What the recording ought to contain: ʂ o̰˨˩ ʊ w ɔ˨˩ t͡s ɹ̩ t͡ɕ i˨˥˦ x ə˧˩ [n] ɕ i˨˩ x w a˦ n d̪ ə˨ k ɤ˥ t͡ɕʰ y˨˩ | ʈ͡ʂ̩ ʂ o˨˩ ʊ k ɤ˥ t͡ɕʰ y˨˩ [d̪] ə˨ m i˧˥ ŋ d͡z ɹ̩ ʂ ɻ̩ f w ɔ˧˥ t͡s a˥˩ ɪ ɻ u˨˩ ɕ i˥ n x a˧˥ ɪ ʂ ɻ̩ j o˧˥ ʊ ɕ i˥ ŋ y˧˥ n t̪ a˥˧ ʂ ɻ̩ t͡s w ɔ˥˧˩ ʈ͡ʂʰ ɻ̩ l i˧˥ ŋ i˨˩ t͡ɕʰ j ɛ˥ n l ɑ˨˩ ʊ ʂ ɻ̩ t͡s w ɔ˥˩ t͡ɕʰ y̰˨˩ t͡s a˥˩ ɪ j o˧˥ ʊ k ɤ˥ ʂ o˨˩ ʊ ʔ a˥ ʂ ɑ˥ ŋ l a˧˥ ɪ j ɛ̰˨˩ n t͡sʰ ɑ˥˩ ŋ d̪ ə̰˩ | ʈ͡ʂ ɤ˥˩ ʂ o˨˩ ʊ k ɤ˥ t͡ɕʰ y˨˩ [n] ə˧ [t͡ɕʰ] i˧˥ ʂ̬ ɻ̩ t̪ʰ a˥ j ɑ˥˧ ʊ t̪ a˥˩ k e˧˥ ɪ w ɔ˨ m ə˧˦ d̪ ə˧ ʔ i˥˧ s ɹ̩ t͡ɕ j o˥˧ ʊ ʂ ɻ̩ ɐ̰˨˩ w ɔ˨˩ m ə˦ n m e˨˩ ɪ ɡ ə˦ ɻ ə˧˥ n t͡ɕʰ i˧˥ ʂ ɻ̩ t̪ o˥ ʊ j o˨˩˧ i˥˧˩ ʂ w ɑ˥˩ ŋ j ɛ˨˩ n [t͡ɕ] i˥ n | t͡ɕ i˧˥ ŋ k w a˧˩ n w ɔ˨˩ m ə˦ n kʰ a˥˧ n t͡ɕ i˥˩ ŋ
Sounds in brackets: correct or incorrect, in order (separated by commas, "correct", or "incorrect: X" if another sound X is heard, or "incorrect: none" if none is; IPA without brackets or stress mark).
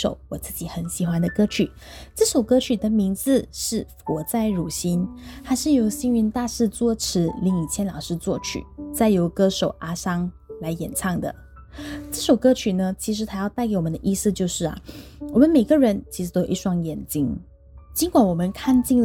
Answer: correct, correct, correct, correct, correct